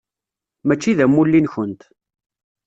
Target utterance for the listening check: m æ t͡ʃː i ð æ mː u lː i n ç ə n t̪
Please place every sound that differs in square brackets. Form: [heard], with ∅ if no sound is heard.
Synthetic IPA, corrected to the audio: m æ t͡ʃː i ð æ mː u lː i n ç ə n t̪